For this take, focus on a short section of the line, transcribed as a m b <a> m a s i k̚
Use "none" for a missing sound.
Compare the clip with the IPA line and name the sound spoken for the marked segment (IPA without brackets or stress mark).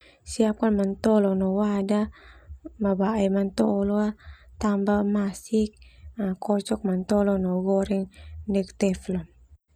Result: a